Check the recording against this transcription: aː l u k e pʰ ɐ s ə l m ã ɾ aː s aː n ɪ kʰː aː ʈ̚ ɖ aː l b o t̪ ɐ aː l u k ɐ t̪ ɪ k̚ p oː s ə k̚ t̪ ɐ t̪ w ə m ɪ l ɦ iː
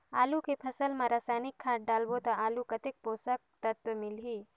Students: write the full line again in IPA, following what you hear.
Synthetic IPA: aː l u k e pʰ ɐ s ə l m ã ɾ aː s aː n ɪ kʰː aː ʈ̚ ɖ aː l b o t̪ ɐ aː l u k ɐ t̪ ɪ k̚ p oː s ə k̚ t̪ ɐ t̪ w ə m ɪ l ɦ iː